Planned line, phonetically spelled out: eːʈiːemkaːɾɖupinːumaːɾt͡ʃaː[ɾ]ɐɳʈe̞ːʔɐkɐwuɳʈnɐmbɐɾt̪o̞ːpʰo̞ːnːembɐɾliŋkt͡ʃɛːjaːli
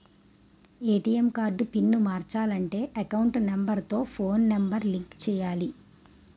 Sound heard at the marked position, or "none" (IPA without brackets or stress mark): l